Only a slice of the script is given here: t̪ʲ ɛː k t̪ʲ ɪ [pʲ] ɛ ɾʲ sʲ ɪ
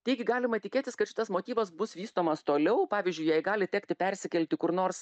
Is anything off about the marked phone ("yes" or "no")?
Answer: no